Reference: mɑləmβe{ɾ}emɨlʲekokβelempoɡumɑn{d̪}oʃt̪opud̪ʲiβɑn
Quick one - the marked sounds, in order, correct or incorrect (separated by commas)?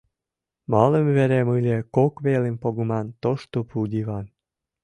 correct, incorrect